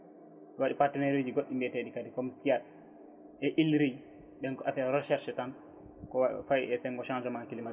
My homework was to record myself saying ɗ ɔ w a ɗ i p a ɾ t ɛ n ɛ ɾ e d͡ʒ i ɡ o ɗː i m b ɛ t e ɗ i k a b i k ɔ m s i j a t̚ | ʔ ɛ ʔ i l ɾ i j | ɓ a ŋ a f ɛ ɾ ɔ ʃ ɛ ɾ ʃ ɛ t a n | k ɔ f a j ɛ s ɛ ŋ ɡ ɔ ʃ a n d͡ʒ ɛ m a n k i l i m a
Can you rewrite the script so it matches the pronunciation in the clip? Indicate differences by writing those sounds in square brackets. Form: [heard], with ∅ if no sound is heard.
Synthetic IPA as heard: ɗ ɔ w a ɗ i p a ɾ t ɛ n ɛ ɾ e d͡ʒ i ɡ o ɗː i m b ɛ t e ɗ i k a [d] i k ɔ m s i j a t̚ | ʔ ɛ ʔ i l ɾ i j | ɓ [ɛ] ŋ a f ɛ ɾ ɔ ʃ ɛ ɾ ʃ ɛ t a n | k ɔ f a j ɛ s ɛ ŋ ɡ ɔ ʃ a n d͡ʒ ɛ m a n k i l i m a